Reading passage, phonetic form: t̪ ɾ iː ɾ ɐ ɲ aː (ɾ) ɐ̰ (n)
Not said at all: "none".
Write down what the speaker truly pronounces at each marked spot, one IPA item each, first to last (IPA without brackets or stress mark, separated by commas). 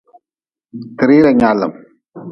l, m